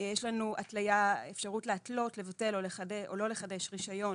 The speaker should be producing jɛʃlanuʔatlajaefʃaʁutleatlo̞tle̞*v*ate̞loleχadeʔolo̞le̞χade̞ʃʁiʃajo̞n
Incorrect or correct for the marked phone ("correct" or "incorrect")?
correct